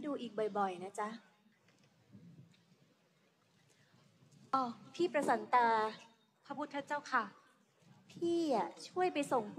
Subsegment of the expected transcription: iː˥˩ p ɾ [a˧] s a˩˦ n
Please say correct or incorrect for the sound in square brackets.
correct